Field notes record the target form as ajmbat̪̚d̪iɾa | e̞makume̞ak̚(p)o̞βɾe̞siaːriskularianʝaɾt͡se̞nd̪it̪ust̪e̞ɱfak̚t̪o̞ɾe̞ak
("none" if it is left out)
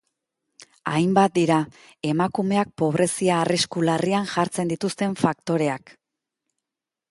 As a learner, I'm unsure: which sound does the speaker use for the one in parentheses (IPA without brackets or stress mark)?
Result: p